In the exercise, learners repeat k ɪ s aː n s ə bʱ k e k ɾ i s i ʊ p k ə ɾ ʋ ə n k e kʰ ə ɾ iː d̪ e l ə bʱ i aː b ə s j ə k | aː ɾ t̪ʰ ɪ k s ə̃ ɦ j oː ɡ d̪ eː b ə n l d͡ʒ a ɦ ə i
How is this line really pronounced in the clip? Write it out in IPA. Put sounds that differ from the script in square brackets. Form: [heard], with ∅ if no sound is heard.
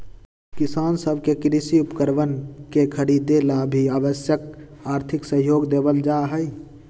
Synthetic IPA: k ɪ s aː n s ə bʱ k e k ɾ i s i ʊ p k ə ɾ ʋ ə n k e kʰ ə ɾ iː d̪ e l [a] bʱ i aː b ə s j ə k | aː ɾ t̪ʰ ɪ k s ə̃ ɦ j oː ɡ d̪ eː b ə [∅] l d͡ʒ a ɦ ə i